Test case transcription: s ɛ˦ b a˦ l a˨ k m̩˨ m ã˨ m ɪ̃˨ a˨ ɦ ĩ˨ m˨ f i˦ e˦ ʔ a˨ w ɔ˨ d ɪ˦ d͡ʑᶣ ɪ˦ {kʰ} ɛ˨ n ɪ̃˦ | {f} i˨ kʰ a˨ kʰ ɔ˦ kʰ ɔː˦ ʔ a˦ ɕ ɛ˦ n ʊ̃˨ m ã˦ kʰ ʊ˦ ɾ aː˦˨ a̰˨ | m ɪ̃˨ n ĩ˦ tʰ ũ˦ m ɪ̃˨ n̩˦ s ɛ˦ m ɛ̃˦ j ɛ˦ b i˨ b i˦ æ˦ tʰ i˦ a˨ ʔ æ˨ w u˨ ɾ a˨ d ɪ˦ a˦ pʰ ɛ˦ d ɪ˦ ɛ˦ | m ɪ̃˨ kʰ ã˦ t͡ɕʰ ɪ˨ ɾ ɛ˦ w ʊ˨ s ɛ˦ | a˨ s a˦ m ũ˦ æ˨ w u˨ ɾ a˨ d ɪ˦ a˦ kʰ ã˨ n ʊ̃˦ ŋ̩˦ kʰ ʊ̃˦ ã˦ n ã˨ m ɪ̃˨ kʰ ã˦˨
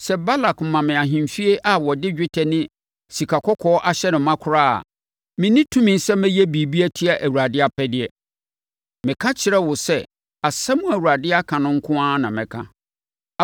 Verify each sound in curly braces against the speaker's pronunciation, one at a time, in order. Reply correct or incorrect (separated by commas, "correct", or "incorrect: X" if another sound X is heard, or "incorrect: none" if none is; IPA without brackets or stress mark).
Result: incorrect: tʰ, incorrect: s